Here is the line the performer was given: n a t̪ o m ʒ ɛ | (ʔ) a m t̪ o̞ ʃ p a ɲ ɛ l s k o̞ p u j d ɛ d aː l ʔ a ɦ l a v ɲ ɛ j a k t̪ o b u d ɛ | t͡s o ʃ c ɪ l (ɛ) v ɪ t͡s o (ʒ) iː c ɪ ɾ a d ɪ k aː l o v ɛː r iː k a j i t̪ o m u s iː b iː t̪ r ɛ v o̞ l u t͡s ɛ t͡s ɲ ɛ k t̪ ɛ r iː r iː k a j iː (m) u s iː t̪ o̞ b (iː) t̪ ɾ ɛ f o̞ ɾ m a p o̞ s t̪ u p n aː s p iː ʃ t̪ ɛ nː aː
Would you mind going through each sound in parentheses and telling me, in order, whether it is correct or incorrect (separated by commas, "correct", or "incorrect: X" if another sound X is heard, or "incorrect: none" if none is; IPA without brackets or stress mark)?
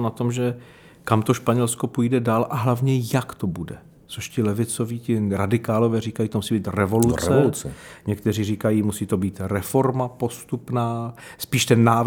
incorrect: k, correct, incorrect: v, correct, correct